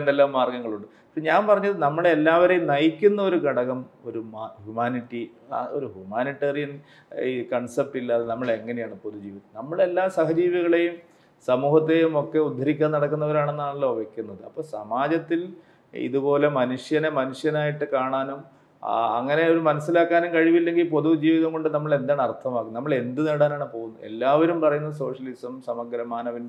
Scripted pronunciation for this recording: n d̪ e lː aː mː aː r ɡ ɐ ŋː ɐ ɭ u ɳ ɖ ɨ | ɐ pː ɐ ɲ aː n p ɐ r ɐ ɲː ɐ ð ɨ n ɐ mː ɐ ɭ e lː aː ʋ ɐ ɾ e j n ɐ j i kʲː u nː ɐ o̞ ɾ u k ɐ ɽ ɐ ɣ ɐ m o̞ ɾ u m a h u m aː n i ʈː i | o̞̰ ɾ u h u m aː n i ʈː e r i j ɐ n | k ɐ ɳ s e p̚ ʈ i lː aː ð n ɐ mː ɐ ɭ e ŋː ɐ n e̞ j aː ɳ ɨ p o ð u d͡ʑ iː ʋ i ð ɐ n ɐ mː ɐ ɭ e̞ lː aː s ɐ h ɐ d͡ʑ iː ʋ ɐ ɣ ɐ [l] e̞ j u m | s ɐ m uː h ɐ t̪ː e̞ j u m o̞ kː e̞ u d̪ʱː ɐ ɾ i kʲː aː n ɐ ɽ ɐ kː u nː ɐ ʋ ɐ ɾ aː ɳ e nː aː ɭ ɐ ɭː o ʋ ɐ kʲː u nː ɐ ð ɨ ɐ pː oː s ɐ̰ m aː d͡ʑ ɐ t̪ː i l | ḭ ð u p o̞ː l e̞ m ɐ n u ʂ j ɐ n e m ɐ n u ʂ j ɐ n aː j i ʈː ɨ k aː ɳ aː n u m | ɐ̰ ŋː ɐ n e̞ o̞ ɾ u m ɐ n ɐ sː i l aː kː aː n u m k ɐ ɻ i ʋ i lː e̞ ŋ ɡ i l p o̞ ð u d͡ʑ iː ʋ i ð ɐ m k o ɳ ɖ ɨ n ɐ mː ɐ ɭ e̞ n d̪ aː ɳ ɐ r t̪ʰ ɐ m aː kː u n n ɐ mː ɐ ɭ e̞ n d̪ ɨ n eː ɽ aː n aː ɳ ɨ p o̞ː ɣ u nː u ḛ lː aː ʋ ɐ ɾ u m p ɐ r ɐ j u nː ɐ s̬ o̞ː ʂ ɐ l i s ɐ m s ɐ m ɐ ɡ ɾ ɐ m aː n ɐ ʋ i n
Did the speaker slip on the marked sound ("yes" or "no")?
yes